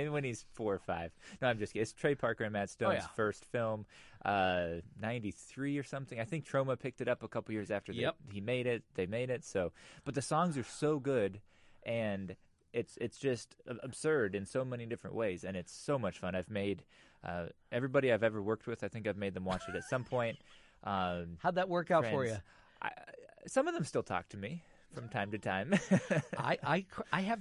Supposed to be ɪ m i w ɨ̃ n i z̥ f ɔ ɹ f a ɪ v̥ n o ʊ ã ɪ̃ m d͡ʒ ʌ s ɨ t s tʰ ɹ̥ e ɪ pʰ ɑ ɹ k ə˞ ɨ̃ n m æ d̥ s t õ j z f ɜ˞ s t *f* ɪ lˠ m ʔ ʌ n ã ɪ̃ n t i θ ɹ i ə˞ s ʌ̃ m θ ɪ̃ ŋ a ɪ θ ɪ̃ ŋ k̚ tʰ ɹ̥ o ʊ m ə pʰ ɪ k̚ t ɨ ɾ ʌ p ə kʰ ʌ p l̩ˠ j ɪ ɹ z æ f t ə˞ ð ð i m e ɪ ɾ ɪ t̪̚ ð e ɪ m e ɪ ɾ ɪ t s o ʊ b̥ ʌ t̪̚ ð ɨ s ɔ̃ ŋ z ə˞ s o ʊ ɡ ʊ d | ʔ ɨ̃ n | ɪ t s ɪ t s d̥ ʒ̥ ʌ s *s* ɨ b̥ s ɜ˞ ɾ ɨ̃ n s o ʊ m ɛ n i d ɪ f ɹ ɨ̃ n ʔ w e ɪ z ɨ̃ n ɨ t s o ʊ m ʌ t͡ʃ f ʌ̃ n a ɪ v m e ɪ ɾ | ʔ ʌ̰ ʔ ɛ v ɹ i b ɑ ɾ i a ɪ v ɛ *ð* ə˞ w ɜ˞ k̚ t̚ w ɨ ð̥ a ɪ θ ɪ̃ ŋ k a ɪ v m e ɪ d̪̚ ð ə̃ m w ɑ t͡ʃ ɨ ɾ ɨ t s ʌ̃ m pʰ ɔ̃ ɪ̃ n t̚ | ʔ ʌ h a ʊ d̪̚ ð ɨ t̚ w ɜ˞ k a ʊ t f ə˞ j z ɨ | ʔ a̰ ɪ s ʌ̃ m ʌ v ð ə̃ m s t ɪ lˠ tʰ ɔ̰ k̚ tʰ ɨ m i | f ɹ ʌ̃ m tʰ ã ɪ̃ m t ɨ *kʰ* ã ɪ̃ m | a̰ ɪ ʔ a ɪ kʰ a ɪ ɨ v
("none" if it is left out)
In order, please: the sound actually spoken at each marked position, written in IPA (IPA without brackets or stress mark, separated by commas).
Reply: f, t, v, tʰ